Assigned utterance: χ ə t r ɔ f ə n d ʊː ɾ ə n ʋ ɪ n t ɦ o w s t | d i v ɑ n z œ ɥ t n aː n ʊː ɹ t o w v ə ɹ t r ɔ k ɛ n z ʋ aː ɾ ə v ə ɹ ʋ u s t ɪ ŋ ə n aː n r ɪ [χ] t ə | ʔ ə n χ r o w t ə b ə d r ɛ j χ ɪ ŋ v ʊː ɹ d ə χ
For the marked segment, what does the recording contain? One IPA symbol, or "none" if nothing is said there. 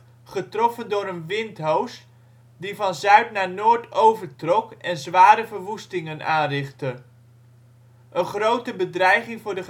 χ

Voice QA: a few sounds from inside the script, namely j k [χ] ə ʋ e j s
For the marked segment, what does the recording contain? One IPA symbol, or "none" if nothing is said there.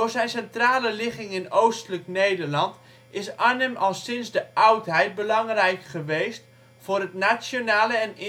χ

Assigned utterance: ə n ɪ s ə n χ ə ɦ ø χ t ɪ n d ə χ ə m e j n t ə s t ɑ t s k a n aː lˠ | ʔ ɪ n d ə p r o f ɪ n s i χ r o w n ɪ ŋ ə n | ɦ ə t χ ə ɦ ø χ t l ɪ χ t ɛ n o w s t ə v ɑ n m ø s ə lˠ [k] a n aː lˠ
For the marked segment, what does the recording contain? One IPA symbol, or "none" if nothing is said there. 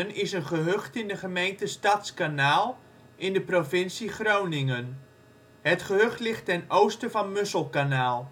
k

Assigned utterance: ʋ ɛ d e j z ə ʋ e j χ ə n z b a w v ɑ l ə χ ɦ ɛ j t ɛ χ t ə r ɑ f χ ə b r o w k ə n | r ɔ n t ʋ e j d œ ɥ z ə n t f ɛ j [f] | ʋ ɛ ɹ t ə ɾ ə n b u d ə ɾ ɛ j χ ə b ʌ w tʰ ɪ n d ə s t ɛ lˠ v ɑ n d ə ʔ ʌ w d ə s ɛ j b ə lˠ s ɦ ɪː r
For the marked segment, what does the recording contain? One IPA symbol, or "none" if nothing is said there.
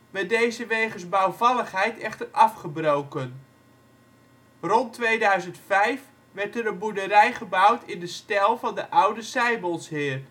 f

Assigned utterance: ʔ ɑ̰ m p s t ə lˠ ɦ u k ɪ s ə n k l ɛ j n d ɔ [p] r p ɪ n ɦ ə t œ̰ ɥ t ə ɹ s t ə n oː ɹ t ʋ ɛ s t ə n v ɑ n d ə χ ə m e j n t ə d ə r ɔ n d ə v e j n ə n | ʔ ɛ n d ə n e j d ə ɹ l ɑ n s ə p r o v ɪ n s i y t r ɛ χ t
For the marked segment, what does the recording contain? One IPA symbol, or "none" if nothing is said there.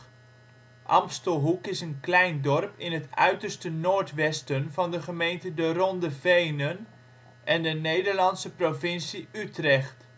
none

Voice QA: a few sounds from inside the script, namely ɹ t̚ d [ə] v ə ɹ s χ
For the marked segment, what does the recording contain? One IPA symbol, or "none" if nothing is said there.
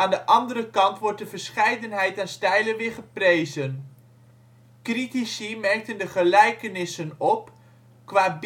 ə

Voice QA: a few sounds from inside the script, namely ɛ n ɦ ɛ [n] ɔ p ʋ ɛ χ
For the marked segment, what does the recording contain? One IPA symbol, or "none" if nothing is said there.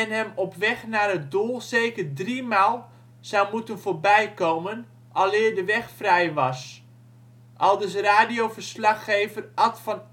m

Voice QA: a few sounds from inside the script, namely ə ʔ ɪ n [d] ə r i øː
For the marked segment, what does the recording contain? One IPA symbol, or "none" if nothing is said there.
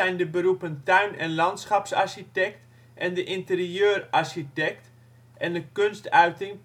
t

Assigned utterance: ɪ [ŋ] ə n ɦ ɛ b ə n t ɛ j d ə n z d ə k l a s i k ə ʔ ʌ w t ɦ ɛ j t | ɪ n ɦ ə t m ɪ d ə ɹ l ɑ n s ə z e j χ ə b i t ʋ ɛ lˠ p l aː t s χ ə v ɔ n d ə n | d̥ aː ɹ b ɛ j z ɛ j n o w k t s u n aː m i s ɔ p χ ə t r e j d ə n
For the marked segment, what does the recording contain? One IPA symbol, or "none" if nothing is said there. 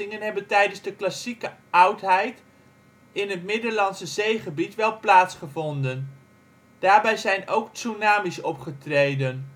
ŋ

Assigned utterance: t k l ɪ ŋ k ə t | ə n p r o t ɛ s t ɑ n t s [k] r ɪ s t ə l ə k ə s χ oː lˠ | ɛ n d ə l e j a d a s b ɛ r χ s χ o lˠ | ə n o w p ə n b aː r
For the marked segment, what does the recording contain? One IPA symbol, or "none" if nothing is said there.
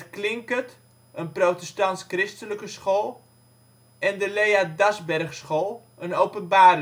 k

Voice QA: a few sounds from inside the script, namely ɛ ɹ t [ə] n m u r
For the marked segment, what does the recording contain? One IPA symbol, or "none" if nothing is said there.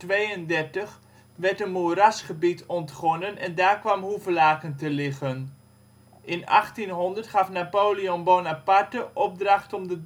ə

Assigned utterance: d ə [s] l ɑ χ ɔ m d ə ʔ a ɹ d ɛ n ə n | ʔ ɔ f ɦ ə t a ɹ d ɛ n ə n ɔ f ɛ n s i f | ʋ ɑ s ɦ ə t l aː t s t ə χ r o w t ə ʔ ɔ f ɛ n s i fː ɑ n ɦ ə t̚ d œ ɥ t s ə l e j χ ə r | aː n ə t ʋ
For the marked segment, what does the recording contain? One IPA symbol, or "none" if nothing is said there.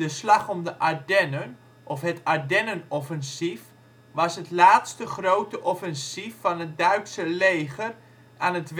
s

